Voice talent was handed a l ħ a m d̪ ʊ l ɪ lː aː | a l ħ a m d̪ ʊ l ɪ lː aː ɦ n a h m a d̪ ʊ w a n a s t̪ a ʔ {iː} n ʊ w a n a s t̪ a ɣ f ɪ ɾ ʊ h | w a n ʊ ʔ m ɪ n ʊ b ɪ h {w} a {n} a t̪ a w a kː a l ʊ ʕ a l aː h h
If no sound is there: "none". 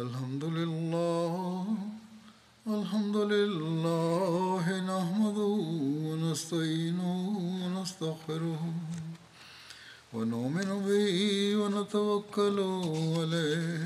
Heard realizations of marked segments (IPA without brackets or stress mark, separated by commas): iː, w, n